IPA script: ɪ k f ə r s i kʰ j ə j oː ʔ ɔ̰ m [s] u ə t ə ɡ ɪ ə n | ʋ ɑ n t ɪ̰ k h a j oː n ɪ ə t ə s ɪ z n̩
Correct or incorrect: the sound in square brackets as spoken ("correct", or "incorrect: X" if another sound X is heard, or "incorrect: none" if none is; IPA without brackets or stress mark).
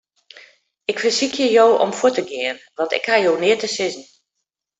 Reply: incorrect: f